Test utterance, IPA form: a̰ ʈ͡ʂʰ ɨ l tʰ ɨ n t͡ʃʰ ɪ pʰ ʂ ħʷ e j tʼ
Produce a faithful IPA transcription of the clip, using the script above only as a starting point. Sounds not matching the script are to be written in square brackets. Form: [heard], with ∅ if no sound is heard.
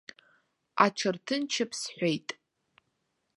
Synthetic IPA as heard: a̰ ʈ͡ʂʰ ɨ [r] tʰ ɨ n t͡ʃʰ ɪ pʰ [s] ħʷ e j tʼ